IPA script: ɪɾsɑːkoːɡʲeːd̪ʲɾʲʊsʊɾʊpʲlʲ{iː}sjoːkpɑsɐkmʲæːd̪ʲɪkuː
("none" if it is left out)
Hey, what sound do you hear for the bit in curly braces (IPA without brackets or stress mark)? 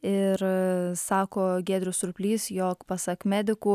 iː